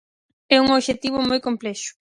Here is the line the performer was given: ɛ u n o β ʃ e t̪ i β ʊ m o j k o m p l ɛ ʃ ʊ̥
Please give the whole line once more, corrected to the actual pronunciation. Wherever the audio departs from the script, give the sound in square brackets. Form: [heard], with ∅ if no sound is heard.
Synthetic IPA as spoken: ɛ u [ŋ] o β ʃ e t̪ i β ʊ m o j k o m p l ɛ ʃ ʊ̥